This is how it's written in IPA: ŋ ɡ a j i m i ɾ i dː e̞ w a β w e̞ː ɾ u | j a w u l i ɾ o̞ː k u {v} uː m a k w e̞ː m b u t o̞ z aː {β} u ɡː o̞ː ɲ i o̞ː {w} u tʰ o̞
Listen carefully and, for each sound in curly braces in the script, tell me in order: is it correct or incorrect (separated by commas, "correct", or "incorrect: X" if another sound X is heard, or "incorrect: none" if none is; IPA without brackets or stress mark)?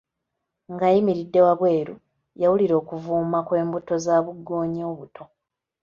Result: correct, correct, incorrect: β